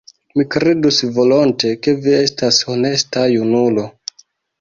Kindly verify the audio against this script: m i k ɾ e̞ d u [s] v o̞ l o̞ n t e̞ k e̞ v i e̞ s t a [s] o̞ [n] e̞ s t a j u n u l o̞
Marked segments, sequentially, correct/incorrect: correct, correct, correct

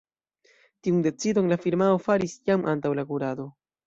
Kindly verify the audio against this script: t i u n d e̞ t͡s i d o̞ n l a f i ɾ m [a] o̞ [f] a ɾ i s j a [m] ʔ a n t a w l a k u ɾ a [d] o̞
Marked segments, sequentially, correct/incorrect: correct, correct, correct, correct

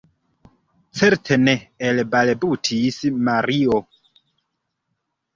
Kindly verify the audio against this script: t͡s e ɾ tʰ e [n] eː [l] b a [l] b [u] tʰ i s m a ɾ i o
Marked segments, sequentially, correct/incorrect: correct, correct, correct, correct

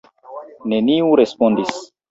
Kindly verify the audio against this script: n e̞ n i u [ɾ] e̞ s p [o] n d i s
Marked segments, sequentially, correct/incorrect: correct, correct

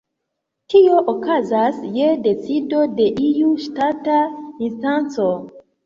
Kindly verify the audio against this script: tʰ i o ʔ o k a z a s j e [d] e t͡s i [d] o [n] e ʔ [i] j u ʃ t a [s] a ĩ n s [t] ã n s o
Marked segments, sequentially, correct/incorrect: correct, correct, incorrect: d, correct, incorrect: t, correct

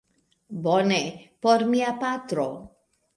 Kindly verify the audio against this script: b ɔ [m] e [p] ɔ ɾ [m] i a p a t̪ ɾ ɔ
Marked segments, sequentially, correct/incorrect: incorrect: n, correct, correct

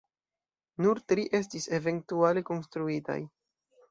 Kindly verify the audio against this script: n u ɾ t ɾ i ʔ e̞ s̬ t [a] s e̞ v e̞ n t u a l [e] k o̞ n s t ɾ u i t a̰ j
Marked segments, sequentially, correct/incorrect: incorrect: i, correct

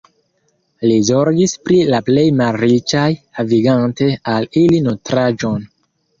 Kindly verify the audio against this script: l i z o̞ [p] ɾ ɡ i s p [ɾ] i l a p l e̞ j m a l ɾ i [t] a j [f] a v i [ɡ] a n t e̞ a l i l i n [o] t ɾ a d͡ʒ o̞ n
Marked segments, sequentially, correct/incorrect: incorrect: none, correct, incorrect: t͡ʃ, incorrect: h, correct, correct

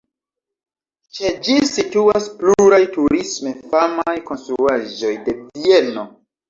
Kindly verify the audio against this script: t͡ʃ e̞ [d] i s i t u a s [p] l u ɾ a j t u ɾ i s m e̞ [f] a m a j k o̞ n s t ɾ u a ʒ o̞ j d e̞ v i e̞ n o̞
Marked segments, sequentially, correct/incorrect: incorrect: d͡ʒ, correct, correct

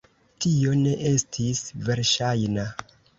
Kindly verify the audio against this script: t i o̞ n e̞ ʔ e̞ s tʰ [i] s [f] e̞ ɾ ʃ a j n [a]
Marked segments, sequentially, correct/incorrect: correct, incorrect: v, correct

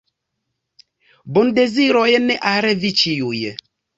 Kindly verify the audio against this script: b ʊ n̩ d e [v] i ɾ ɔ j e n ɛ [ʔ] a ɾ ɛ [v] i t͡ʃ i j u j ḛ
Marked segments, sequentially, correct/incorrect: incorrect: z, correct, correct

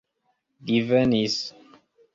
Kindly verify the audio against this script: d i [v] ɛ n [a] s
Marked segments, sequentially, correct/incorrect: correct, incorrect: i

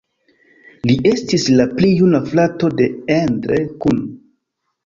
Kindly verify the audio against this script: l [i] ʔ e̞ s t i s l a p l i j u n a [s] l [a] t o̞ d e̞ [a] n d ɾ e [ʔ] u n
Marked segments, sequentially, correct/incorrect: correct, incorrect: f, correct, incorrect: e, incorrect: k

